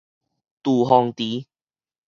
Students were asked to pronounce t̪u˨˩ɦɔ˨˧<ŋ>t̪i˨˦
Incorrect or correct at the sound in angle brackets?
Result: correct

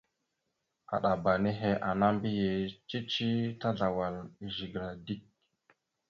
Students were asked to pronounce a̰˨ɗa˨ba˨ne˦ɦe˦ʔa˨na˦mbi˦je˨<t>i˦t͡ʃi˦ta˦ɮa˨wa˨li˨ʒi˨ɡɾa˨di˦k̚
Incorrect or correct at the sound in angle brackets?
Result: incorrect: t͡ʃ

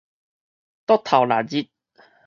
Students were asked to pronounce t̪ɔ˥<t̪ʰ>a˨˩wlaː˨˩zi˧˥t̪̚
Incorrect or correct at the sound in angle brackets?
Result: correct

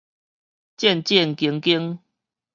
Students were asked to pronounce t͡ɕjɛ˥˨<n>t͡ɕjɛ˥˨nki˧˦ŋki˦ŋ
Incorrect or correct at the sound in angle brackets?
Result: correct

